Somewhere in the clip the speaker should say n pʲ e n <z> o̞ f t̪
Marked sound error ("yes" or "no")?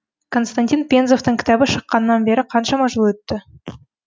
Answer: no